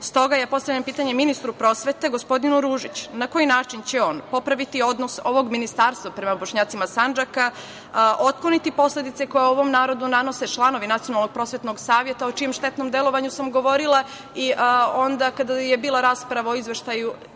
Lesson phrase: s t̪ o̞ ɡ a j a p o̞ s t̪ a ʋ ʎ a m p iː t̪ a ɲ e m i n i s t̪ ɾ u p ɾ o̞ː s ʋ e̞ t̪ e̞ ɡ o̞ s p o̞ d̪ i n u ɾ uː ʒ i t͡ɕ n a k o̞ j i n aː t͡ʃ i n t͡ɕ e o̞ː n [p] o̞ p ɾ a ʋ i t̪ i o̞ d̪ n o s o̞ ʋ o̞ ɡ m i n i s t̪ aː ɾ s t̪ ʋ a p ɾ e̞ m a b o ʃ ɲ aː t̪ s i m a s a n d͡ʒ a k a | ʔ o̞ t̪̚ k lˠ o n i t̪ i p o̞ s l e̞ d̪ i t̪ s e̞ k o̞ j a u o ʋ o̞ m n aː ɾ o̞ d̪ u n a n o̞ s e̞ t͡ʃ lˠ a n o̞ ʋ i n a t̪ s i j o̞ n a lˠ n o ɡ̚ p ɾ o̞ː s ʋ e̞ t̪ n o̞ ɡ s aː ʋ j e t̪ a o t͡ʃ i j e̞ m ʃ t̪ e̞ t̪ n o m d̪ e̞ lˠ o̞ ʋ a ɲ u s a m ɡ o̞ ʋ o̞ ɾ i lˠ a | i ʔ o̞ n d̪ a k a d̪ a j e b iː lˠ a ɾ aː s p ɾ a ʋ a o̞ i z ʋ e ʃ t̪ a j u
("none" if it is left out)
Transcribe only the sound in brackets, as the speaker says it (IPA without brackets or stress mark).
p